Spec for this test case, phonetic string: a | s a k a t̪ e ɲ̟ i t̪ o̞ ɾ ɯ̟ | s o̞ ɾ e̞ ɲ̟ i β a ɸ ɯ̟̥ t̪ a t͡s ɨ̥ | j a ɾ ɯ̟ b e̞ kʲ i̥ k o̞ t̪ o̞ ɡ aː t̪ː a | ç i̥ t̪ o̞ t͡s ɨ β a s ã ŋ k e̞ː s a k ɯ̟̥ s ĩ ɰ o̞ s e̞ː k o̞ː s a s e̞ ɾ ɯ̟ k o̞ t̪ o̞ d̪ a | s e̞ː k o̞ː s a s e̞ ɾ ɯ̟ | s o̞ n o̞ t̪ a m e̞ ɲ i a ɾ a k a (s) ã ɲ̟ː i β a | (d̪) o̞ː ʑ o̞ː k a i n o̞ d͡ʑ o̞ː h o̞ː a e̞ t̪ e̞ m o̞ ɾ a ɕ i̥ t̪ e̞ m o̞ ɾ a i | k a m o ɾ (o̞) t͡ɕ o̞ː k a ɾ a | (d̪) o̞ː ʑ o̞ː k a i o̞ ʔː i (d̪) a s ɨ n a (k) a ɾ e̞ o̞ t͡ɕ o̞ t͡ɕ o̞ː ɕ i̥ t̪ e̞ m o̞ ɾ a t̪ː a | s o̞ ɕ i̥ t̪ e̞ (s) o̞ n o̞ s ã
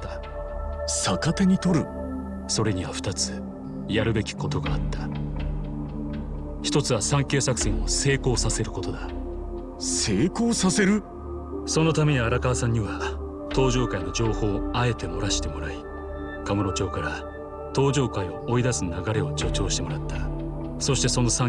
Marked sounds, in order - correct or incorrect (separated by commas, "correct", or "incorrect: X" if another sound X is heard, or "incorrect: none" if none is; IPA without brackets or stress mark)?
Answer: correct, incorrect: t̪, correct, incorrect: t̪, correct, incorrect: ɡ, correct